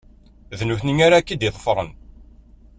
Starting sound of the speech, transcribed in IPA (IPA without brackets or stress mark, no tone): ð